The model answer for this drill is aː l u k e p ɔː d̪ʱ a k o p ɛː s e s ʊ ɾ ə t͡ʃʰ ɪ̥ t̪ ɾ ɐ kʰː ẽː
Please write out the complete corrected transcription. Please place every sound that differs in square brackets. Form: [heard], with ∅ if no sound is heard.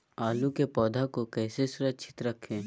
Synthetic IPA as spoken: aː l u k e p ɔː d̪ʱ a k o [k] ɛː s e s ʊ ɾ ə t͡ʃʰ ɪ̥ t̪ ɾ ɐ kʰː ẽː